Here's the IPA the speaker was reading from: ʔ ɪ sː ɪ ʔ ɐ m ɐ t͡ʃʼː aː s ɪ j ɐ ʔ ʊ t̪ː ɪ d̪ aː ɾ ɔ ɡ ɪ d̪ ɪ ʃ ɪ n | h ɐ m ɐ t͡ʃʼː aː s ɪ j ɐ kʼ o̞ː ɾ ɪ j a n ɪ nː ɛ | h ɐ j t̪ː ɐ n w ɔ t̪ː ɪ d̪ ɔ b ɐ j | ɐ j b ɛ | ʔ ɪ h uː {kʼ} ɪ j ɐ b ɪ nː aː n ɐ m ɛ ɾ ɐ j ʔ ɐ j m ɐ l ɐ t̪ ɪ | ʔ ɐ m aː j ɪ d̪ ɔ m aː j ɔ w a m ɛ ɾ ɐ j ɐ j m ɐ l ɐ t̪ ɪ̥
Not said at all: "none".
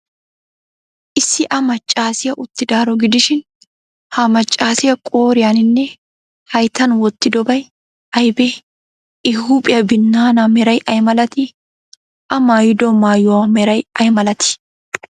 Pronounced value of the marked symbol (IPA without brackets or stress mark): pʼ